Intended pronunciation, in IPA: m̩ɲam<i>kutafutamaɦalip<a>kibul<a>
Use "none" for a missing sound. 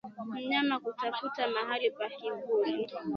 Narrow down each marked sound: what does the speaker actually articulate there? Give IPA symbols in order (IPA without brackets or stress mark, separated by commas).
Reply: a, a, i